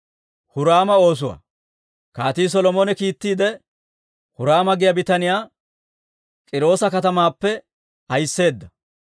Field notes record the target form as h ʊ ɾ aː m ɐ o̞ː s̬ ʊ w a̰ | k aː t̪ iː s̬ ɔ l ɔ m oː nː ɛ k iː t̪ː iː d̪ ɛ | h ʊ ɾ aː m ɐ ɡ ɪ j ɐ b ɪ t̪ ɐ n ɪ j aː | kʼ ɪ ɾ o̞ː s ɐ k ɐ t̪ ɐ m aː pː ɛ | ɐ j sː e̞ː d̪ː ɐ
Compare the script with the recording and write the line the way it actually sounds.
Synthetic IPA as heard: h ʊ ɾ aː m ɐ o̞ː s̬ ʊ w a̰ | k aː t̪ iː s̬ ɔ l ɔ m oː n ɛ k iː t̪ː iː d̪ ɛ | h ʊ ɾ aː m ɐ ɡ ɪ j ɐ b ɪ t̪ ɐ n ɪ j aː | kʼ ɪ ɾ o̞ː s ɐ k ɐ t̪ ɐ m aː pː ɛ | ɐ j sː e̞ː d̪ː ɐ